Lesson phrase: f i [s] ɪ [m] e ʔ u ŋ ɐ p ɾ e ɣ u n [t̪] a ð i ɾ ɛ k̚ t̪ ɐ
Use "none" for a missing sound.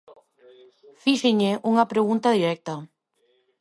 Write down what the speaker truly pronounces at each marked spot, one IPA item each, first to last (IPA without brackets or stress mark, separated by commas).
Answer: ʃ, ɲ, t̪